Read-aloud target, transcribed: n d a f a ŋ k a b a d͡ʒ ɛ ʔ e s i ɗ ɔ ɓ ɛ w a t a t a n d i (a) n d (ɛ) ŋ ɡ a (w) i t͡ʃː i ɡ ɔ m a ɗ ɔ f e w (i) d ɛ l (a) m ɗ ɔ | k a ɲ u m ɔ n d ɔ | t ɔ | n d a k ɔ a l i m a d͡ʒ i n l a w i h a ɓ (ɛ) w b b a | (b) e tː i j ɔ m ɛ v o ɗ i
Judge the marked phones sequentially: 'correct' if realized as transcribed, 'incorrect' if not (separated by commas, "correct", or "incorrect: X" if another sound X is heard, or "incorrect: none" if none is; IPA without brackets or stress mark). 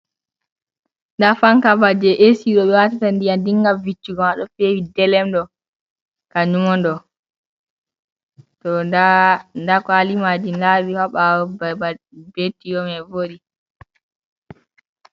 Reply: correct, incorrect: i, incorrect: v, correct, incorrect: ɛ, incorrect: a, correct